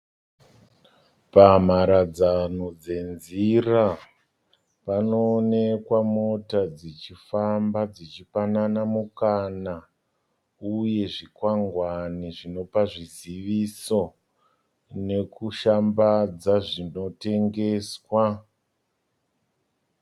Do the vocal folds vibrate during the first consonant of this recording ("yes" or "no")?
no